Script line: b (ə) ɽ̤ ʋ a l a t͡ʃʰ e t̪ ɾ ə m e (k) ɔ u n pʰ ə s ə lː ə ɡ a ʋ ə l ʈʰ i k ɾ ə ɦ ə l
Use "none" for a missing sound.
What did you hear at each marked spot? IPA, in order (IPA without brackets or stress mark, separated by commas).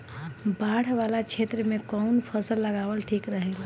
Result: a, k